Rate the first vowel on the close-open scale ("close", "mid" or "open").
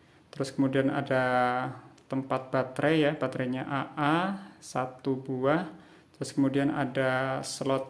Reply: mid